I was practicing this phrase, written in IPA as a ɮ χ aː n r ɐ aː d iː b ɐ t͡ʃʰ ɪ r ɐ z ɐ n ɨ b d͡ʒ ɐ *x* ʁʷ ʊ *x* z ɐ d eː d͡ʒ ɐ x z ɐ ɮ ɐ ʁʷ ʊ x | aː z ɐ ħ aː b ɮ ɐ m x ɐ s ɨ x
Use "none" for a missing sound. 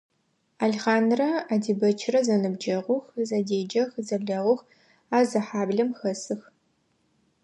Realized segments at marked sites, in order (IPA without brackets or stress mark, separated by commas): none, x